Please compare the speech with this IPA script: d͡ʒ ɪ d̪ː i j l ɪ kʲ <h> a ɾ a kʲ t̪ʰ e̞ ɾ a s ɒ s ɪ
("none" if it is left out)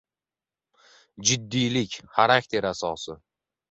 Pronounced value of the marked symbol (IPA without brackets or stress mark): χ